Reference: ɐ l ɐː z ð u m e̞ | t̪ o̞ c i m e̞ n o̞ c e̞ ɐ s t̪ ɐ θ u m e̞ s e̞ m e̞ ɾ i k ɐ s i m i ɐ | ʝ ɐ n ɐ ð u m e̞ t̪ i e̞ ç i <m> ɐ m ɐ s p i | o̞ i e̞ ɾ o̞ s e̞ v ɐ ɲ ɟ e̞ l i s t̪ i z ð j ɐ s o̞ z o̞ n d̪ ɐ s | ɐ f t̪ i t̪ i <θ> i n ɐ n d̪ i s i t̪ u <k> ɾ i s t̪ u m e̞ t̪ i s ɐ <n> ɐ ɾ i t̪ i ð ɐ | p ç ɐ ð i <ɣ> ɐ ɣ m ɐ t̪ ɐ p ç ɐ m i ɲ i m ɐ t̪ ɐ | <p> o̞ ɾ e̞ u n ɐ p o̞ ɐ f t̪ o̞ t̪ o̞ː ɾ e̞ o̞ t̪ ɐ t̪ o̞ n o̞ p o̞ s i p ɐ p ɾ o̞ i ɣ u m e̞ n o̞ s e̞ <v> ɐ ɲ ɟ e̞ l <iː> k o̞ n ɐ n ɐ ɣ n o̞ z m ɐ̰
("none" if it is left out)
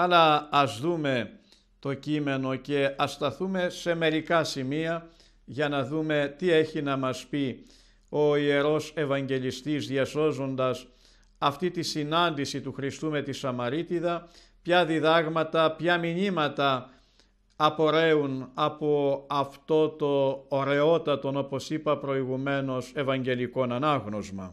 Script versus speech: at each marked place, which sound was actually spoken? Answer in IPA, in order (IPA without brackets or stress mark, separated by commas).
n, s, x, m, ð, p, v, i